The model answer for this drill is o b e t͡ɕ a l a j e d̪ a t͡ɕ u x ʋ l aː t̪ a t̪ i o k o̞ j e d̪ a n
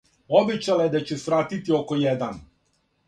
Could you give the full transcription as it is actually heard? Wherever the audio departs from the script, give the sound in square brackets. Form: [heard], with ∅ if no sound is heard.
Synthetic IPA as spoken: o b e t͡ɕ a l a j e d̪ a t͡ɕ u [s] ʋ [ɾ] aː t̪ [i] t̪ i o k o̞ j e d̪ a n

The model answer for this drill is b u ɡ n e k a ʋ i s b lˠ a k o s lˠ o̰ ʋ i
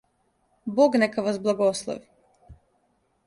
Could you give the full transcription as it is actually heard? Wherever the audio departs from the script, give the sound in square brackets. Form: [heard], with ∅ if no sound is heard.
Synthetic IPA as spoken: b [o] ɡ n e k a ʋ [a] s b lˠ a [ɡ] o s lˠ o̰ ʋ i

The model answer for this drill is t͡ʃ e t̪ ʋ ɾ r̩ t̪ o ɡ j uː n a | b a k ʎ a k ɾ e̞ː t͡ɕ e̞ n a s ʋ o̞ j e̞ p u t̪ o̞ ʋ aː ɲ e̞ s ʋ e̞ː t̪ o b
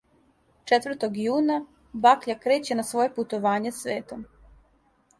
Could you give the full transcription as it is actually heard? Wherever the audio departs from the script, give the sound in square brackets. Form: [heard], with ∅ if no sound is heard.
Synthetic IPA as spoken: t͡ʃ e t̪ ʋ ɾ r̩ t̪ o ɡ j uː n a | b a k ʎ a k ɾ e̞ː t͡ɕ e̞ n a s ʋ o̞ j e̞ p u t̪ o̞ ʋ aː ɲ e̞ s ʋ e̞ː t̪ o [m]

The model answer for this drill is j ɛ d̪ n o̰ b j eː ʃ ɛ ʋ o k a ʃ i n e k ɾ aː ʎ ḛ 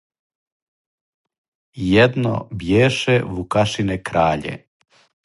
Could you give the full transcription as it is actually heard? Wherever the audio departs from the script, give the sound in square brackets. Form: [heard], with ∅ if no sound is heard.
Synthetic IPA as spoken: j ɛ d̪ n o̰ b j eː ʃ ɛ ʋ [u] k a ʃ i n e k ɾ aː ʎ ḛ

